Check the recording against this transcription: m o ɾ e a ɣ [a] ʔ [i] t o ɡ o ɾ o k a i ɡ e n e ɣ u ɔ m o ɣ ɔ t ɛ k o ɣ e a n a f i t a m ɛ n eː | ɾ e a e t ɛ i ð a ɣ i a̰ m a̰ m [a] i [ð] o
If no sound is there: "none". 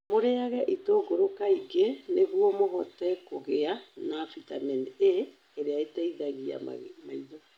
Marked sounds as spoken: ɛ, i, a, ð

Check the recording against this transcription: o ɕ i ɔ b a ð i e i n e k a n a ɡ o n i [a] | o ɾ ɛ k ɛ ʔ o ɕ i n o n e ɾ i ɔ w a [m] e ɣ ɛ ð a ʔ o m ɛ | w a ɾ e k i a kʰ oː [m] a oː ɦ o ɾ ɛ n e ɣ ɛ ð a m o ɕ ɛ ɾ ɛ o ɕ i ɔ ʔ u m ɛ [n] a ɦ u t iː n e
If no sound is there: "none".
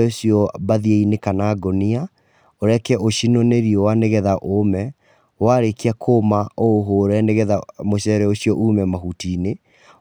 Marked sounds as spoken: a, n, m, m

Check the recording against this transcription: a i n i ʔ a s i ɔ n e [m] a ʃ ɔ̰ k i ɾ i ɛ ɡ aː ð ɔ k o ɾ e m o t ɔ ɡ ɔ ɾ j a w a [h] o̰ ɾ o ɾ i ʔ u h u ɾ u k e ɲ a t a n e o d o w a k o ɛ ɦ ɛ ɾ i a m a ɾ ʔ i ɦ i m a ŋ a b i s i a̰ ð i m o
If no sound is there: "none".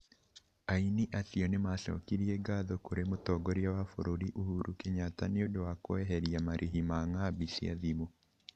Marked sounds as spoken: m, f

